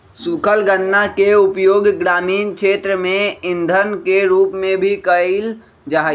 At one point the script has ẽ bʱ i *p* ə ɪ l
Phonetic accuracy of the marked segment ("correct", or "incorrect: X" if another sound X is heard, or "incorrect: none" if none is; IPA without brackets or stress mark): incorrect: k